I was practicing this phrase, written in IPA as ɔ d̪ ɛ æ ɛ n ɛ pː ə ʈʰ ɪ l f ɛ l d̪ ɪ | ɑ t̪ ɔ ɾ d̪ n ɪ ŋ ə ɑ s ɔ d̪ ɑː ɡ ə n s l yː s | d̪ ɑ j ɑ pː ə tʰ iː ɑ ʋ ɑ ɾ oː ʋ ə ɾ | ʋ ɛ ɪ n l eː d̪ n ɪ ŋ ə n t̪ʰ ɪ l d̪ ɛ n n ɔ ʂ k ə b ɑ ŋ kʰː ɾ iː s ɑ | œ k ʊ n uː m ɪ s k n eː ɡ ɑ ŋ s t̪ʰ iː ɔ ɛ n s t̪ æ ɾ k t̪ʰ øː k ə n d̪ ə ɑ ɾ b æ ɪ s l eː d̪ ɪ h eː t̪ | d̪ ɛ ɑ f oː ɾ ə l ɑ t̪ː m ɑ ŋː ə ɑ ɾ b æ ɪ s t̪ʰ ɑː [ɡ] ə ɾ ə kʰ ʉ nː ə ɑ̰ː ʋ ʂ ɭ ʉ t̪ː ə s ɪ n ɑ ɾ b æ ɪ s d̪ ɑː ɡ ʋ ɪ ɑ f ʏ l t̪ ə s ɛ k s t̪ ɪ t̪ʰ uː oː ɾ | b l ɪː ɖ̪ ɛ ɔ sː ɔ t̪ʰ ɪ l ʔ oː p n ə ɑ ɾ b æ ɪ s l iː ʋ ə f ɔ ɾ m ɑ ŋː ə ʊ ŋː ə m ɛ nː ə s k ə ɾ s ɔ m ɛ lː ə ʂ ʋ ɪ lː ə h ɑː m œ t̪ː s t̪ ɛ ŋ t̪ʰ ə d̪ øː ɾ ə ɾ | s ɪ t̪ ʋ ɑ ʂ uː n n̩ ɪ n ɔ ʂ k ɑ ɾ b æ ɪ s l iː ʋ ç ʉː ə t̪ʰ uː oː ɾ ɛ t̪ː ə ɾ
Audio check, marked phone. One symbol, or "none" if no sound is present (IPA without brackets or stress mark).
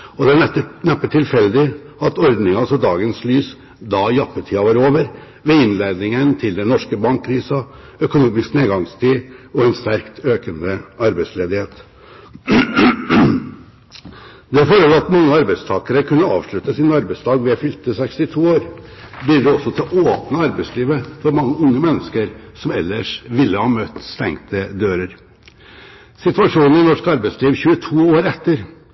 k